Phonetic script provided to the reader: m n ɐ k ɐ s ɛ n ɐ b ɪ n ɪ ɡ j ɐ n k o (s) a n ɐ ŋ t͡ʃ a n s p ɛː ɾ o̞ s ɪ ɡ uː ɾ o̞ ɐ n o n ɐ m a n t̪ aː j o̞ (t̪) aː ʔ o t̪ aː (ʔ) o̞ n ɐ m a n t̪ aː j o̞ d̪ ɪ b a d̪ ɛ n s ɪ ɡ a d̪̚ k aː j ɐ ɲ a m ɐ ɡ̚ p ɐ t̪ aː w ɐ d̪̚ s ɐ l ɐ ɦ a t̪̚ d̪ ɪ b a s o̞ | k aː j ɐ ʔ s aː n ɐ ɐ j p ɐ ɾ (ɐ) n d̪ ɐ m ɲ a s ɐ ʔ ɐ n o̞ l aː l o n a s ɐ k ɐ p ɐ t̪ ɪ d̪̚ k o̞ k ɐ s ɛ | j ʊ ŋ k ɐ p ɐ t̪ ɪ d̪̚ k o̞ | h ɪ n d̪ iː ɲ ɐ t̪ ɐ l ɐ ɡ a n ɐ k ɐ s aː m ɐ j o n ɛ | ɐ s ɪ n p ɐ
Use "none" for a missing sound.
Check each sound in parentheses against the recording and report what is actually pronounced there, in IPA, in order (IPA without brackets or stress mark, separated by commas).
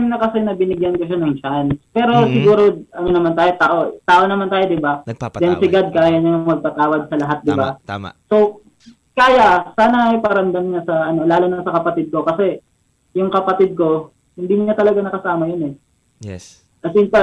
ʃ, t̪, ʔ, ɐ